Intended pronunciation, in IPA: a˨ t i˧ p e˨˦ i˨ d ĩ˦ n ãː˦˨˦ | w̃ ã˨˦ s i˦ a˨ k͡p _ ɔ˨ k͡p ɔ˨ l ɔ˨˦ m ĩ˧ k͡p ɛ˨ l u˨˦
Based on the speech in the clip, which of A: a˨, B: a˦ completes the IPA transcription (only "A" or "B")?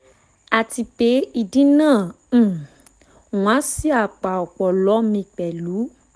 A